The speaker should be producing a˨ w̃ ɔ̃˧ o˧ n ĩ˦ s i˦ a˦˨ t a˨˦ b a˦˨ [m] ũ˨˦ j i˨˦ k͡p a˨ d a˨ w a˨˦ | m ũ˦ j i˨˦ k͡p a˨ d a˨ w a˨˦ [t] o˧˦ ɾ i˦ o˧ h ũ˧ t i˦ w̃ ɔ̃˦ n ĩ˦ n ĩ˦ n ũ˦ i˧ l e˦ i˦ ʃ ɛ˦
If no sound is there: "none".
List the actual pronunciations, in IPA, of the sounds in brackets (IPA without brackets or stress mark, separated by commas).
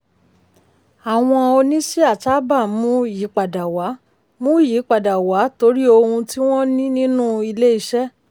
m, t